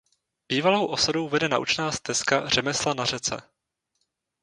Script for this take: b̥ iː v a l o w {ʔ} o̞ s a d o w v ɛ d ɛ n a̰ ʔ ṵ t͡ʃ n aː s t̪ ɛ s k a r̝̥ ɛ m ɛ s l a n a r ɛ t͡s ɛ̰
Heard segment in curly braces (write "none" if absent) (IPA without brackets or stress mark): ʔ